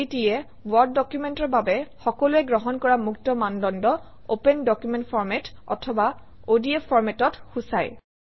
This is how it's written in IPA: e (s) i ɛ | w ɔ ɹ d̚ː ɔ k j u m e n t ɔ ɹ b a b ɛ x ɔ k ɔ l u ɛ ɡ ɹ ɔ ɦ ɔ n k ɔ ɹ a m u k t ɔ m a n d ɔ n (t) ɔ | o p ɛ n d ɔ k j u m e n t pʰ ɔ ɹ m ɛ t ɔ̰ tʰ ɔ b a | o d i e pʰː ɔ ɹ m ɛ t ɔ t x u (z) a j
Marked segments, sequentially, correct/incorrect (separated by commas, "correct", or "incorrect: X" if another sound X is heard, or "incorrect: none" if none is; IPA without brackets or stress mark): incorrect: t, incorrect: d, incorrect: s